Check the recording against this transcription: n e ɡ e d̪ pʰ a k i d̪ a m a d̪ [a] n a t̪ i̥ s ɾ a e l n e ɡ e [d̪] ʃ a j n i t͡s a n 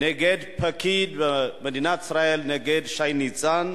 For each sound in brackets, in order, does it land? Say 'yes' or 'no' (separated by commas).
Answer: no, yes